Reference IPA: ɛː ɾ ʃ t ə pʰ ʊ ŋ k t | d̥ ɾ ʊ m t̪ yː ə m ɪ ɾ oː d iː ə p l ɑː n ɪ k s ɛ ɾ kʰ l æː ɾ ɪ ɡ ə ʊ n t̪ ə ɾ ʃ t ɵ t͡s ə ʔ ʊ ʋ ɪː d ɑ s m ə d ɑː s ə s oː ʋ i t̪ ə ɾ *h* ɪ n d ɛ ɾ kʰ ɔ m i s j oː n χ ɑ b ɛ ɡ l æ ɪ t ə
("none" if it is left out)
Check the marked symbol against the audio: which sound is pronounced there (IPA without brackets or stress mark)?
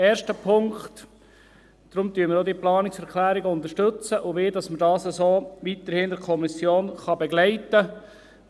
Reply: h